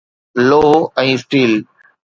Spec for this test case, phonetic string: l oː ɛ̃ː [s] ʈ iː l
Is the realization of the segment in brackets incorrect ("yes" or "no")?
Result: no